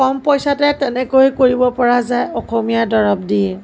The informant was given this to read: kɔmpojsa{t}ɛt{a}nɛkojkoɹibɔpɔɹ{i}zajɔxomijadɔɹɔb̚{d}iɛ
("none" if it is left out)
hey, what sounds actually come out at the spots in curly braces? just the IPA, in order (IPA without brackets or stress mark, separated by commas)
t, ɛ, a, d